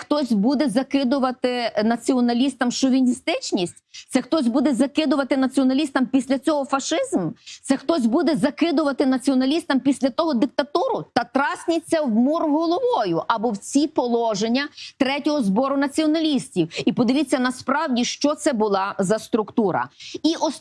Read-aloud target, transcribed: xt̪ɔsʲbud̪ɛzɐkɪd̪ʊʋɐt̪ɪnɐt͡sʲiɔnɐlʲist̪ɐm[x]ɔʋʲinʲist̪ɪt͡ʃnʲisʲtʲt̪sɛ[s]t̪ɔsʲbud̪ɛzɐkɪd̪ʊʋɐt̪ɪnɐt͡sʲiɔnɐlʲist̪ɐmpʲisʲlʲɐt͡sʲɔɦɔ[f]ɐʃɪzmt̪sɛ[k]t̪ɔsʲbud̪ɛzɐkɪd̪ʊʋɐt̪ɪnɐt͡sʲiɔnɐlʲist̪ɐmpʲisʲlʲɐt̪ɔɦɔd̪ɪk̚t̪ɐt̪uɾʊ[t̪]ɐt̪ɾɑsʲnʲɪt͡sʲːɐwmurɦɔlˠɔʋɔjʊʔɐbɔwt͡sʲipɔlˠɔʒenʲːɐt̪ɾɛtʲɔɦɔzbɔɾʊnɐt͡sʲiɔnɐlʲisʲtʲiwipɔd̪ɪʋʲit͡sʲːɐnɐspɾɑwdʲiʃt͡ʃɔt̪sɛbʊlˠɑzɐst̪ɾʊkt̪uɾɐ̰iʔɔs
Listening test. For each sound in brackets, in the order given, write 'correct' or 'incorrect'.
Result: incorrect: ʃ, incorrect: x, correct, incorrect: x, correct

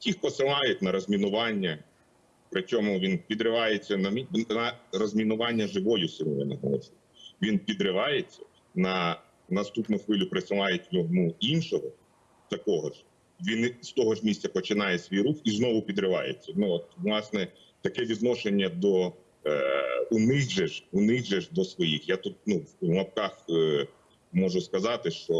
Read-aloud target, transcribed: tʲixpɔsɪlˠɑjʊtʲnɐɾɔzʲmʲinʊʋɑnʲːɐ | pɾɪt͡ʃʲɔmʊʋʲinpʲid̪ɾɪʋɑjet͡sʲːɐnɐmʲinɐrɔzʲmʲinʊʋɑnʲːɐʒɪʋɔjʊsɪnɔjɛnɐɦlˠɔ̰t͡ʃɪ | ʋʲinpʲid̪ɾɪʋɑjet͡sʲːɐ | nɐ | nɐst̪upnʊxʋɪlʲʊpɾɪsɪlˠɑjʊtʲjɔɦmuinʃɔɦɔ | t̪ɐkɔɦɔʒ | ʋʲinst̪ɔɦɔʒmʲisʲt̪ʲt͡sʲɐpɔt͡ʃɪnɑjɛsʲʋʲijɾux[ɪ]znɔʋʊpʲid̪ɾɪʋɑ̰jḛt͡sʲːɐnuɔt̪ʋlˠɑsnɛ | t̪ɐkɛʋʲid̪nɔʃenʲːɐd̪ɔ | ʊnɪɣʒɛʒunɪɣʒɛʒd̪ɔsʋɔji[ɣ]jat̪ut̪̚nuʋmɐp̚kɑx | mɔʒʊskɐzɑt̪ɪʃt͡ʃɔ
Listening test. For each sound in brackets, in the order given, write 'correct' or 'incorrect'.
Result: incorrect: i, incorrect: x

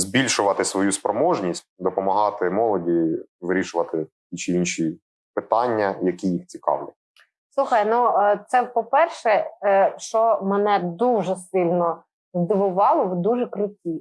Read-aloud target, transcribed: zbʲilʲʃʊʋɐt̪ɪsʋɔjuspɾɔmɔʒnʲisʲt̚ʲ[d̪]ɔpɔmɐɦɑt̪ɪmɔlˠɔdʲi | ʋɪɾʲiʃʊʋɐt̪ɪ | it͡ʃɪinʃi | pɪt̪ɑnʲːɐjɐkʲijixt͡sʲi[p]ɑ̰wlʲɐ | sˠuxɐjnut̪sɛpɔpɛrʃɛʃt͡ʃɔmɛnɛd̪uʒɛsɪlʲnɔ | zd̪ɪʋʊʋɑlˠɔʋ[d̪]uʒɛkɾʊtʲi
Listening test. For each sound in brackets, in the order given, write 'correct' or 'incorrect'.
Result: correct, incorrect: k, correct

